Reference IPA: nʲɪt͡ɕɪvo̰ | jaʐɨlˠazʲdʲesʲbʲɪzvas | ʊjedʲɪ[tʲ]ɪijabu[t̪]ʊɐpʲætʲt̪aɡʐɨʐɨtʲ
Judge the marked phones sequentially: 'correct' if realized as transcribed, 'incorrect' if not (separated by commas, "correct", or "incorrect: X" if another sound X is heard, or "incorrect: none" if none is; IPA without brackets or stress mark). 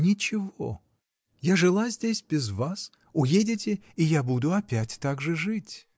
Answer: correct, incorrect: d̪